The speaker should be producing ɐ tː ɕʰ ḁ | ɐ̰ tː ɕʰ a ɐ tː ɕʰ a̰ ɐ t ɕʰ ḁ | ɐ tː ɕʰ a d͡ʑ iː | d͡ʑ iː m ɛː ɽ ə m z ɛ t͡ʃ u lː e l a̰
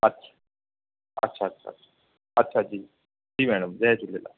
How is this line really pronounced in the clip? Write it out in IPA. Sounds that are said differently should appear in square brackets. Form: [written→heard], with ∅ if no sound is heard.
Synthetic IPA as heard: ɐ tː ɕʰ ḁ | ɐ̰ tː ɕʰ a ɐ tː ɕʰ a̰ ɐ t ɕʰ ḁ | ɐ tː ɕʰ a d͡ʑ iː | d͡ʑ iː m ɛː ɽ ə m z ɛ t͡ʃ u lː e l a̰